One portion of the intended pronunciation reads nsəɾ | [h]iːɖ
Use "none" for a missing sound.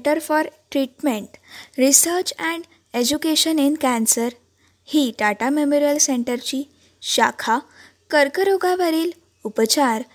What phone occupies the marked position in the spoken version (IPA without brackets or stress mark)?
h